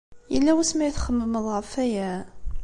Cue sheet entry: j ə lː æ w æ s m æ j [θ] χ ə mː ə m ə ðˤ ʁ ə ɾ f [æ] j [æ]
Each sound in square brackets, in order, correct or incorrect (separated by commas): correct, correct, correct